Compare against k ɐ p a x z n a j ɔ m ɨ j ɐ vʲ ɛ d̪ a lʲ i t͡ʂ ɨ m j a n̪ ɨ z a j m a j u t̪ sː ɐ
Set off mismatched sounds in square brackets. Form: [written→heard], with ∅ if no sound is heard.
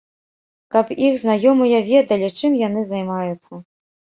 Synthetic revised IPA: k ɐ p [a→i] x z n a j ɔ m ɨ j ɐ vʲ ɛ d̪ [a→ɐ] lʲ i t͡ʂ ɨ m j a n̪ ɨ z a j m a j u t̪ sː ɐ